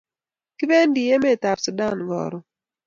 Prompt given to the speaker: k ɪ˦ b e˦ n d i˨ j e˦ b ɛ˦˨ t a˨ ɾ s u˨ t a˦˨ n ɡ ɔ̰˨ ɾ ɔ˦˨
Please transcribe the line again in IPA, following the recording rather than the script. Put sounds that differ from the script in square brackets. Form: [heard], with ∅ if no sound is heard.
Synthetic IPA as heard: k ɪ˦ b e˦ n d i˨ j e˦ [m] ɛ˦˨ t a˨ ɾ s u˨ [d] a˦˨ n ɡ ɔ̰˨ ɾ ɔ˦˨

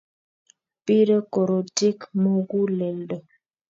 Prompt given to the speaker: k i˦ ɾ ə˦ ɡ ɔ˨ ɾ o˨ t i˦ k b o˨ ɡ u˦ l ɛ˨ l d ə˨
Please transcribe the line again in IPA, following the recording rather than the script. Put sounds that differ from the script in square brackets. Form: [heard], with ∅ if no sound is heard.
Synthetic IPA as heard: [p] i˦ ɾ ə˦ [k] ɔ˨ ɾ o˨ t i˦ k [m] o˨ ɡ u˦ l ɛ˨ l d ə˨

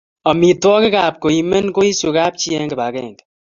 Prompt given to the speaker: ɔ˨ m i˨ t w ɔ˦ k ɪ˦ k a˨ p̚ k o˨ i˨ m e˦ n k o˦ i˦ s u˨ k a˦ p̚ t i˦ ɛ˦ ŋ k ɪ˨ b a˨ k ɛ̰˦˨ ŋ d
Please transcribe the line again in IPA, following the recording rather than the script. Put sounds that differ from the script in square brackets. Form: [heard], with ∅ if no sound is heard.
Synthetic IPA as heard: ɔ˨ m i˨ t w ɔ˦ k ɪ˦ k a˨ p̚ k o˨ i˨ m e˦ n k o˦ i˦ s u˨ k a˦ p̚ [t͡ʃ] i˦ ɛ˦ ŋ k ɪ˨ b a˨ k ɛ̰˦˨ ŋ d

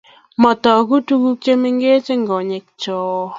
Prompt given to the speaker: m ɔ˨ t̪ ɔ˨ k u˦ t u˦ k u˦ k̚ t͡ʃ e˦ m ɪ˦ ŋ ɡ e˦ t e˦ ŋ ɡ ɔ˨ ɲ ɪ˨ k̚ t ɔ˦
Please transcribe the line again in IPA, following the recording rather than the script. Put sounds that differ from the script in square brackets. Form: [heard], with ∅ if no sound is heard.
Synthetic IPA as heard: m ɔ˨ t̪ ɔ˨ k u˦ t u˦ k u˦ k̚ t͡ʃ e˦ m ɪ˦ ŋ ɡ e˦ [t͡ʃ] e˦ ŋ ɡ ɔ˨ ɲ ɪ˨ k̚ [t͡ʃ] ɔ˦

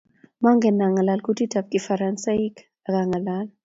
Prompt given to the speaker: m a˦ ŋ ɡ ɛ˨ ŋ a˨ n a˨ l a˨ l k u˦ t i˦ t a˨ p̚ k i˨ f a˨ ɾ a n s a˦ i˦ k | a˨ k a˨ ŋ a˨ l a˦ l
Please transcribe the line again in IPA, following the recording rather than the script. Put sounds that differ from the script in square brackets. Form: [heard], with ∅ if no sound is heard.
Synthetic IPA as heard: m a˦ ŋ ɡ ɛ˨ [n] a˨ [ŋ] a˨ l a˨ l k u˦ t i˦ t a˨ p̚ k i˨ f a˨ ɾ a n s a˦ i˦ k | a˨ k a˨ ŋ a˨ l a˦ l

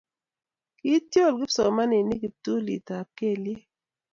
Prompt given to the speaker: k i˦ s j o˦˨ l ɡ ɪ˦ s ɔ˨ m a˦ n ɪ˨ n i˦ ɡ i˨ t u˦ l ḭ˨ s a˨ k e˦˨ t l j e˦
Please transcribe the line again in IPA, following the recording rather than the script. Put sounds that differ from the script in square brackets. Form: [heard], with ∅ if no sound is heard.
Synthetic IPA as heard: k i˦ [t] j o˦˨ l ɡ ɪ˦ s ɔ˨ m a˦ n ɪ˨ n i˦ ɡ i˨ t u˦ l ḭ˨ [t] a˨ k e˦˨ [∅] l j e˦

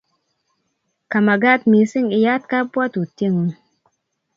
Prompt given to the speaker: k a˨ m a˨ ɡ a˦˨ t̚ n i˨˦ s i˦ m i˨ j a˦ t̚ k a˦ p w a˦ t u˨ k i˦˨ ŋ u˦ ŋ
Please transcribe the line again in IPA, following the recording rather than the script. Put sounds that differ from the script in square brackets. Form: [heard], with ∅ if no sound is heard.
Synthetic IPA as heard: k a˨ m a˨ ɡ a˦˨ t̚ [m] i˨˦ s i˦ [ŋ] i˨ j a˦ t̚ k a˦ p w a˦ t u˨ [t] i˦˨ ŋ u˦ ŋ

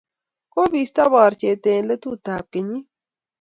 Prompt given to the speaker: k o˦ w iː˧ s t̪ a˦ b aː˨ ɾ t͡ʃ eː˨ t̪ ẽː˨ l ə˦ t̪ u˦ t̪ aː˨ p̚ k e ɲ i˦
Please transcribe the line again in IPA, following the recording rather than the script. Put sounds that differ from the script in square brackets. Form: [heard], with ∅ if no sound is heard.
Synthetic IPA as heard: k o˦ [b] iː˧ s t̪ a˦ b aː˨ ɾ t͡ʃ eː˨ t̪ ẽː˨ l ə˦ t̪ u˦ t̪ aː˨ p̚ k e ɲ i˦

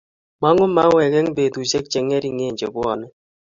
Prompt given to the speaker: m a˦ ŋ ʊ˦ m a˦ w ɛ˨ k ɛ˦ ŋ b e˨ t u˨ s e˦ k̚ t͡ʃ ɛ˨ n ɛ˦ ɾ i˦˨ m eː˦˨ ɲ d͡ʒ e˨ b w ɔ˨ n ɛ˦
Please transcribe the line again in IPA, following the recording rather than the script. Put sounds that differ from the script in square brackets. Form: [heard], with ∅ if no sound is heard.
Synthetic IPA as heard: m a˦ ŋ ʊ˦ m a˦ w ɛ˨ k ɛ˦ ŋ b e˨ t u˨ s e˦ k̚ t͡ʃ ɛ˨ [ŋ] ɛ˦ ɾ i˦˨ [ŋ] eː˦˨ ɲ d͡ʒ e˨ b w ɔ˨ n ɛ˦

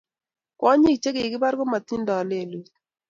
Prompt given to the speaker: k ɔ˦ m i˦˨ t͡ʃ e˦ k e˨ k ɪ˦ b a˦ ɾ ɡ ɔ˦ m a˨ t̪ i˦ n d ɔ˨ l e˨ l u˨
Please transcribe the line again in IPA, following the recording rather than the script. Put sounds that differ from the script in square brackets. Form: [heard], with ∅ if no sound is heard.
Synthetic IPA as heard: k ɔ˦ [ɲ] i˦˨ t͡ʃ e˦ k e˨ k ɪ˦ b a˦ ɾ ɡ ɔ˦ m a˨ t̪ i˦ n d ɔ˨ l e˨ l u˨

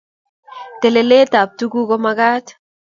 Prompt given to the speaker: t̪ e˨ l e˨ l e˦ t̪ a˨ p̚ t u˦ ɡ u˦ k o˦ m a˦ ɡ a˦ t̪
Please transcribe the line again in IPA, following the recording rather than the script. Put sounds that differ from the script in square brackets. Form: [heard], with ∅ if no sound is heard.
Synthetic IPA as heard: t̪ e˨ l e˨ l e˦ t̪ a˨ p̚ t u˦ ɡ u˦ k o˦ m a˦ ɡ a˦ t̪

